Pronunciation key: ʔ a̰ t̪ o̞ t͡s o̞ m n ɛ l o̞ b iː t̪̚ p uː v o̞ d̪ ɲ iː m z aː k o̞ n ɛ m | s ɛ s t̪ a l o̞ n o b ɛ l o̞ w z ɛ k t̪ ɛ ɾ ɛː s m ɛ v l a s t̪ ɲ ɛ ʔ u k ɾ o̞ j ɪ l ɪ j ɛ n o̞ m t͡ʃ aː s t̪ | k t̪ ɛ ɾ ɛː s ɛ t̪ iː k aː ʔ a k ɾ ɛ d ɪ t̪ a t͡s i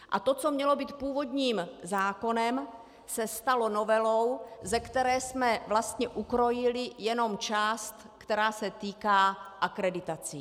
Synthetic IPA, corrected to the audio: ʔ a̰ t̪ o̞ t͡s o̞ m ɲ ɛ l o̞ b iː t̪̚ p uː v o̞ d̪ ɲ iː m z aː k o̞ n ɛ m | s ɛ s t̪ a l o̞ n o v ɛ l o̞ w z ɛ k t̪ ɛ ɾ ɛː s m ɛ v l a s t̪ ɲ ɛ ʔ u k ɾ o̞ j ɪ l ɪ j ɛ n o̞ m t͡ʃ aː s t̪ | k t̪ ɛ ɾ aː s ɛ t̪ iː k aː ʔ a k ɾ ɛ d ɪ t̪ a t͡s i